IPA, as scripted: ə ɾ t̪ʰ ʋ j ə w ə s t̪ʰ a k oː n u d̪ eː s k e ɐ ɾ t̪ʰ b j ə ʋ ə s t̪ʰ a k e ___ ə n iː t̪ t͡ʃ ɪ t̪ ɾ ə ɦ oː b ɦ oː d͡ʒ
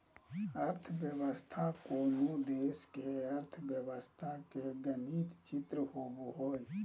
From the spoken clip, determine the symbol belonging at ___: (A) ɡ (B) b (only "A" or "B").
A